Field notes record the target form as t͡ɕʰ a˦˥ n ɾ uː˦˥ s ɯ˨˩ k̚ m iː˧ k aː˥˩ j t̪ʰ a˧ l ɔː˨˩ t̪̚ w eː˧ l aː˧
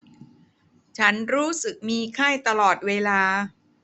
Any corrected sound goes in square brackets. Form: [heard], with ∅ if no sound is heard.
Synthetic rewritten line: t͡ɕʰ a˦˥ n ɾ uː˦˥ s ɯ˨˩ k̚ m iː˧ [kʰ] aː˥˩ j [t̪] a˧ l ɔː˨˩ t̪̚ w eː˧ l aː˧

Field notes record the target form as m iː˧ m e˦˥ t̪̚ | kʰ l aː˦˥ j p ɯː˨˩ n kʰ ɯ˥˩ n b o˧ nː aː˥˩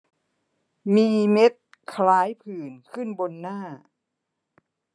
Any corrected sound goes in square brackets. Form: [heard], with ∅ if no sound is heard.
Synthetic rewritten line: m iː˧ m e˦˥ t̪̚ | kʰ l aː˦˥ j [pʰ] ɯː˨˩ n kʰ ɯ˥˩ n b o˧ nː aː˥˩

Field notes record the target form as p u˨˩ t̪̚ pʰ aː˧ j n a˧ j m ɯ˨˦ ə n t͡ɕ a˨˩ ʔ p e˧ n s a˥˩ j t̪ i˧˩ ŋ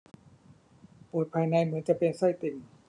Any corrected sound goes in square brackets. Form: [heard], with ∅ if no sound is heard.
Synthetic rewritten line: p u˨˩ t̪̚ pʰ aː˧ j n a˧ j m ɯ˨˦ ə n t͡ɕ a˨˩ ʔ p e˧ n s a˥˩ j t̪ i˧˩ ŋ

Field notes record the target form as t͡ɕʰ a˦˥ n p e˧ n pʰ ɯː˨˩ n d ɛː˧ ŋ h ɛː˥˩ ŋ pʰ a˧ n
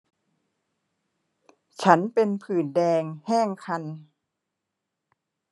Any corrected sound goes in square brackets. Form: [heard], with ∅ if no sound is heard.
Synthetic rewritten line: t͡ɕʰ a˦˥ n p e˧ n pʰ ɯː˨˩ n d ɛː˧ ŋ h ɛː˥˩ ŋ [kʰ] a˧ n

